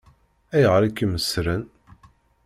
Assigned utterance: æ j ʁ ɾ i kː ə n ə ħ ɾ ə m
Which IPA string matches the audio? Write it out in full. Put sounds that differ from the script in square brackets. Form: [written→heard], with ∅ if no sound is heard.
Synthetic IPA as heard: æ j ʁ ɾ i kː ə [n→m] ə [ħ→s] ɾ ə [m→n]